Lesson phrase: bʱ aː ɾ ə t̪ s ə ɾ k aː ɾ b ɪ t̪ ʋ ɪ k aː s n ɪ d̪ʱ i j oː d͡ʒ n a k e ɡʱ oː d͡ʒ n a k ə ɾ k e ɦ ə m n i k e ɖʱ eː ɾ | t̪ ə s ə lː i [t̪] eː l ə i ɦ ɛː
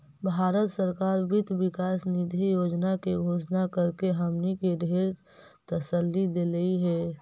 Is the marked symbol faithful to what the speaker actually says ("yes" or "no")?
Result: no